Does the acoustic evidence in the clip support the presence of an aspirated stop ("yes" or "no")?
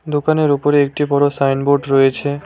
yes